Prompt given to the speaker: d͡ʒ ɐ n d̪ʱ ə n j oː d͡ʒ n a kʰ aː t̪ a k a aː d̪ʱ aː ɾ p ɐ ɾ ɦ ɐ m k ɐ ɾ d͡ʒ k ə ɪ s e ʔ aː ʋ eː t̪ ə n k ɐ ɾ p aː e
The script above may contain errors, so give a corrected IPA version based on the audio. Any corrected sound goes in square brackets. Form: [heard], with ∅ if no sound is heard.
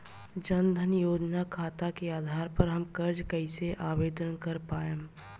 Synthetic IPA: d͡ʒ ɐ n d̪ʱ ə n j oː d͡ʒ n a kʰ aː t̪ a k [e] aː d̪ʱ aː ɾ p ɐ ɾ ɦ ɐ m k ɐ ɾ d͡ʒ k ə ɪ s e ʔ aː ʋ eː [d̪] ə n k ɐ ɾ p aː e